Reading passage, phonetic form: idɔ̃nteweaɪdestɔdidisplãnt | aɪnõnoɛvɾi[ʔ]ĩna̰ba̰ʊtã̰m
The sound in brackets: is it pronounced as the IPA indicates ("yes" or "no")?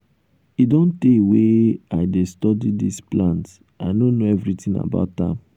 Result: no